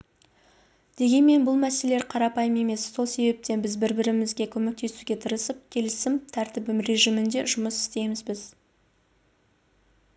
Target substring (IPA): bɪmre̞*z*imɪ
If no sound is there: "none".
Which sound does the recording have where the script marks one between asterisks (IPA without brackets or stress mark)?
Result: ʒ